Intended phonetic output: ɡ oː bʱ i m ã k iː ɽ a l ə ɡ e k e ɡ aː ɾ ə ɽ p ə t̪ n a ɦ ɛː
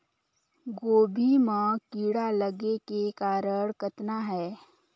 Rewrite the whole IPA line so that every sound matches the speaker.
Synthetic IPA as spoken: ɡ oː bʱ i m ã k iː ɽ a l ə ɡ e k e k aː ɾ ə ɽ k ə t̪ n a ɦ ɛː